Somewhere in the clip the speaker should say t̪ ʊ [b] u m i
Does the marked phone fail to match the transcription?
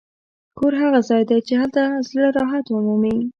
yes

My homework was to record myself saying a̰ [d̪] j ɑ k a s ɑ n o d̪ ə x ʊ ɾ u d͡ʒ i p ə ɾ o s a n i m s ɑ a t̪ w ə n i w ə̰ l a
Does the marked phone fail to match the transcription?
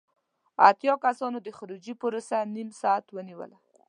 yes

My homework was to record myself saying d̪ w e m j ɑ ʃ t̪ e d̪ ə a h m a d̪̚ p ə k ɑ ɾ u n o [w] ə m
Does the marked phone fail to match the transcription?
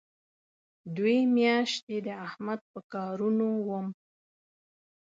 no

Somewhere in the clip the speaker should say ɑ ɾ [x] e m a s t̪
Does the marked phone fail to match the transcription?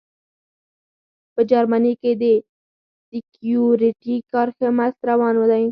no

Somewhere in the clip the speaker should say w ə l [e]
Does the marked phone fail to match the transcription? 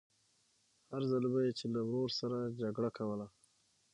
yes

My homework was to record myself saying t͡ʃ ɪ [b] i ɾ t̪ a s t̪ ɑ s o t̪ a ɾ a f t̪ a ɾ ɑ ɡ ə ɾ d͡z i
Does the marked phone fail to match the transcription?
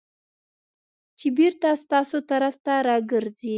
no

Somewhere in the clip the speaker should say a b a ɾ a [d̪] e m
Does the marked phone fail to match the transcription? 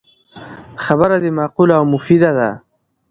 no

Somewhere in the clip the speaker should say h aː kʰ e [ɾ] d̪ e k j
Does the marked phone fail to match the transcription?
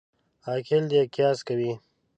yes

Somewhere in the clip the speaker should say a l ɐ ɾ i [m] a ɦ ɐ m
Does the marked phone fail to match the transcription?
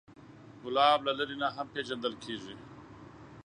yes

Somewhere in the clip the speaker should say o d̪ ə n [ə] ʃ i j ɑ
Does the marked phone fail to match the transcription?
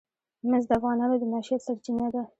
yes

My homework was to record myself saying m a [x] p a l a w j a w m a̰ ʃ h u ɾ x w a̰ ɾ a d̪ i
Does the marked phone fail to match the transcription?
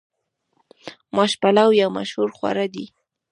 yes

